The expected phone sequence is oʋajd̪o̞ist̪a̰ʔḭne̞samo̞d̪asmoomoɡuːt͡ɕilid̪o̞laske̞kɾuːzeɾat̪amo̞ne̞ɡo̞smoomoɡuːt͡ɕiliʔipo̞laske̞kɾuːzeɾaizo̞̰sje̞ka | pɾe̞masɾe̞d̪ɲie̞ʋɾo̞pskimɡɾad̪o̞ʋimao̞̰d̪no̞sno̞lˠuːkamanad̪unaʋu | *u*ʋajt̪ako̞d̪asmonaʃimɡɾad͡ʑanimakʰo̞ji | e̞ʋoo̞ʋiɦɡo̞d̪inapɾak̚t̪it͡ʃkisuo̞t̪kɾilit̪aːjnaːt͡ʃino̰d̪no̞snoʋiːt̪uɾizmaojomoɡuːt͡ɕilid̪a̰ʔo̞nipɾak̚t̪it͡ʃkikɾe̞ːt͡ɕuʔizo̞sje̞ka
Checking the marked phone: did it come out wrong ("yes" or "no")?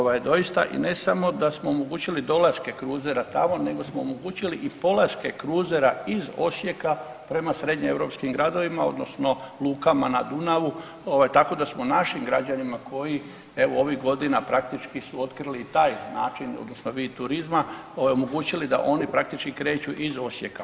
yes